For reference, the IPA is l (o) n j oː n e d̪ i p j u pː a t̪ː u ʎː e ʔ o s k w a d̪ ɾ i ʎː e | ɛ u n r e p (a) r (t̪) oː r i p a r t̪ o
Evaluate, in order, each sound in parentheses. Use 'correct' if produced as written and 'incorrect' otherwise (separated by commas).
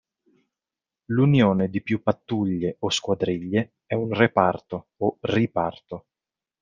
incorrect, correct, correct